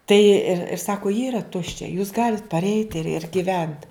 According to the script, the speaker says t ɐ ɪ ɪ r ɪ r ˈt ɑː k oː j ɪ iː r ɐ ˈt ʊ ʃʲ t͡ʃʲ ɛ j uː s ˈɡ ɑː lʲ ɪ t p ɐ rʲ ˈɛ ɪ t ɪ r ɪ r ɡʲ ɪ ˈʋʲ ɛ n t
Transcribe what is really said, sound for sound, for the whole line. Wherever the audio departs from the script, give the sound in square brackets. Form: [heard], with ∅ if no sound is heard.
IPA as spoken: t ɐ ɪ ɪ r ɪ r [ˈs] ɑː k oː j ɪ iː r ɐ ˈt ʊ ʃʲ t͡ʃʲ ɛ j uː s ˈɡ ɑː lʲ ɪ t p ɐ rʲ ˈɛ ɪ t ɪ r ɪ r ɡʲ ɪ ˈʋʲ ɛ n t